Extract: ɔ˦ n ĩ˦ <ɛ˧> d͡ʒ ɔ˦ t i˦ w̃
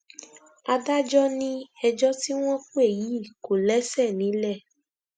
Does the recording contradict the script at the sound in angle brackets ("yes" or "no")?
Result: no